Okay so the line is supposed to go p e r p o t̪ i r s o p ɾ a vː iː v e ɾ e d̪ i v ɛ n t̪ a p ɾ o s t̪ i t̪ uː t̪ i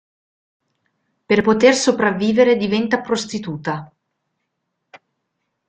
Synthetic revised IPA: p e r p o t̪ e r s o p ɾ a vː iː v e ɾ e d̪ i v ɛ n t̪ a p ɾ o s t̪ i t̪ uː t̪ a